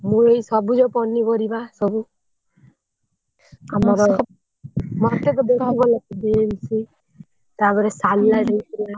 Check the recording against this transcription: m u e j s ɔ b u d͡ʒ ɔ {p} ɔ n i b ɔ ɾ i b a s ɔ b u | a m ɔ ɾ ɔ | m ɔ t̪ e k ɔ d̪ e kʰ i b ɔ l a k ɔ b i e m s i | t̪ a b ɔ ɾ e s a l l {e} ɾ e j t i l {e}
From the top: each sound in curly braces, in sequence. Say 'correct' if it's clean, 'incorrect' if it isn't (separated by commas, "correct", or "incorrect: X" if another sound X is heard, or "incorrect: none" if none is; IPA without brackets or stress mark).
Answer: correct, incorrect: a, incorrect: a